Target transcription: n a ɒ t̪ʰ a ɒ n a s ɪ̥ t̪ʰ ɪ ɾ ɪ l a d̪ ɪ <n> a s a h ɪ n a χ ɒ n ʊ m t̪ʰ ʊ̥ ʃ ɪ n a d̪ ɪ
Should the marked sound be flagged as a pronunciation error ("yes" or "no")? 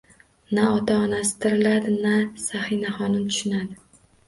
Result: no